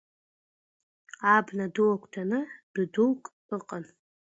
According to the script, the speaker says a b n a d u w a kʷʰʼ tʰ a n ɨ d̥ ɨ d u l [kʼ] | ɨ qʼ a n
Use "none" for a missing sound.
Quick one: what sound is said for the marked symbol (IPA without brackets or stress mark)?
kʼ